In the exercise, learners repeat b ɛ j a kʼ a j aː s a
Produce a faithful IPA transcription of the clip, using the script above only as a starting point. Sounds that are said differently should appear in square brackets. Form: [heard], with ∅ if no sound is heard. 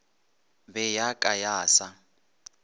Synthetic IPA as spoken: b ɛ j a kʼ a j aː s a

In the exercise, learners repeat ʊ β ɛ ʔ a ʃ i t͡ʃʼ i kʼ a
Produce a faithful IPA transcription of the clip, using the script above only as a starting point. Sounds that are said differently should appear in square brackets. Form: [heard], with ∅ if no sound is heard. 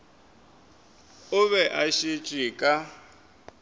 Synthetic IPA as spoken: ʊ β ɛ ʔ a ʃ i t͡ʃʼ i kʼ a

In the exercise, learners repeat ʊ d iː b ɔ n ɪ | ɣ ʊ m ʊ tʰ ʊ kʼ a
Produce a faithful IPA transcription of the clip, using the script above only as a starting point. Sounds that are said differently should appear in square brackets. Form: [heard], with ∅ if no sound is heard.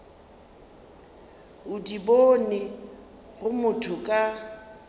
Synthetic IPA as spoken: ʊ d [i] b [o] n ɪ | ɣ ʊ m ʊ tʰ ʊ kʼ a

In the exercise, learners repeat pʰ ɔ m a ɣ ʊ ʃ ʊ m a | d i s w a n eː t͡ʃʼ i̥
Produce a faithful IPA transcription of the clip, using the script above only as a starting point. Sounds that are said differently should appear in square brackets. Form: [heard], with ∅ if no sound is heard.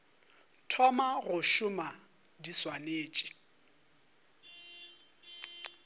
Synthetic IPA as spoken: [tʰ] ɔ m a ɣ ʊ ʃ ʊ m a | d i s w a n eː t͡ʃʼ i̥

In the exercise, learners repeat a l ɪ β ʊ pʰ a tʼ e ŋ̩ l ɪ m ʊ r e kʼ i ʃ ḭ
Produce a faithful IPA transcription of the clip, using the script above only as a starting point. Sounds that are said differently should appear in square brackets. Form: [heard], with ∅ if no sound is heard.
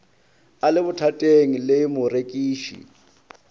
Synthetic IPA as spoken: a l ɪ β ʊ [tʰ] a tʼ e ŋ̩ l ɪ m ʊ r e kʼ [iː] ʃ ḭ

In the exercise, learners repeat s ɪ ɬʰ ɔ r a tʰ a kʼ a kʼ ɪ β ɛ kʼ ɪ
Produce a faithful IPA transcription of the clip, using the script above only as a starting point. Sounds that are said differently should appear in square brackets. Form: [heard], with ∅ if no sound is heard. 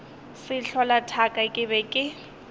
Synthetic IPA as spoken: s ɪ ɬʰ ɔ [l] a tʰ a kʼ a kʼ ɪ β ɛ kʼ ɪ

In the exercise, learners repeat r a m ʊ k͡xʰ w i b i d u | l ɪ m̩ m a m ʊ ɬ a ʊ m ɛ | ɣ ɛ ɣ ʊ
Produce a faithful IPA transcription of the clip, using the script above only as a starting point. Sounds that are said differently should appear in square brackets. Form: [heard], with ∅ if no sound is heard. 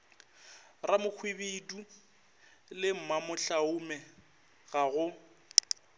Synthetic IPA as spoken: r a m ʊ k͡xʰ w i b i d u | l ɪ m̩ m a m ʊ ɬ a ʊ m ɛ | ɣ [a] ɣ ʊ

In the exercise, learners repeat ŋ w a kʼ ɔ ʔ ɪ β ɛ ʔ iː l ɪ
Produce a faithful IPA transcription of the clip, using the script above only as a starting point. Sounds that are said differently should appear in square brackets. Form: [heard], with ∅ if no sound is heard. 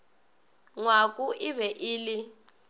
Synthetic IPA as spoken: ŋ w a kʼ [u] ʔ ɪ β ɛ ʔ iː l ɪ

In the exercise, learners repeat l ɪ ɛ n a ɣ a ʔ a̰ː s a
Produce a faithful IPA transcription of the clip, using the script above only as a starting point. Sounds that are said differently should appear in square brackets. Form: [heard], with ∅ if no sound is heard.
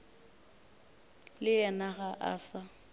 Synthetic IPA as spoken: l ɪ ɛ n a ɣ a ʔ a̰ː s a

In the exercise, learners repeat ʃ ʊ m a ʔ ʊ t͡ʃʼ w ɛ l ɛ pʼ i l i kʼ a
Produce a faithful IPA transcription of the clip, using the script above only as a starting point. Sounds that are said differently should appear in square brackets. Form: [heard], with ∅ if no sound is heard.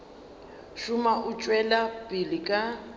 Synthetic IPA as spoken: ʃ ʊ m a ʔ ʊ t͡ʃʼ w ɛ l [a] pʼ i l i kʼ a

